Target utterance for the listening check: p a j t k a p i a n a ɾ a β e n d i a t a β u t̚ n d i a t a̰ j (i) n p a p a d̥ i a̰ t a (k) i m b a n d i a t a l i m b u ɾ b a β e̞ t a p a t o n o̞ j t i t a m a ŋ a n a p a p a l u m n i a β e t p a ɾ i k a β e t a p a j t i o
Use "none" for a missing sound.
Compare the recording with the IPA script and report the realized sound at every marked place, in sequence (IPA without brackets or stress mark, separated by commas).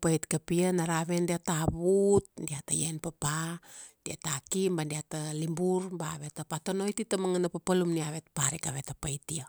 e, k